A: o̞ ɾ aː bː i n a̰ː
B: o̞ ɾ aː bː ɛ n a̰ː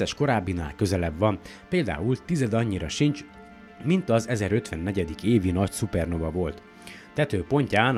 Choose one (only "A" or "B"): A